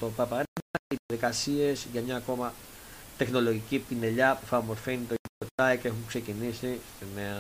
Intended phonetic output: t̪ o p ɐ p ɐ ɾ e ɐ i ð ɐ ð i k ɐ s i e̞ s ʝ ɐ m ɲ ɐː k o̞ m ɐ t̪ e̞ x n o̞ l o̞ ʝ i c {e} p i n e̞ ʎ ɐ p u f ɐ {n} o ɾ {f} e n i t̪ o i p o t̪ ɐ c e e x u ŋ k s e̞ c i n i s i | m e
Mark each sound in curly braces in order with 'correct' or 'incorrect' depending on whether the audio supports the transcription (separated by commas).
incorrect, incorrect, correct